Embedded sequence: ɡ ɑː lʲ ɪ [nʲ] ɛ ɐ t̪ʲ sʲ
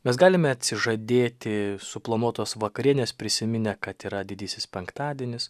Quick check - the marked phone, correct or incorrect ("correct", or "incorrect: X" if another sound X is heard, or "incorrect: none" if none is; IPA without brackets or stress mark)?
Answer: incorrect: mʲ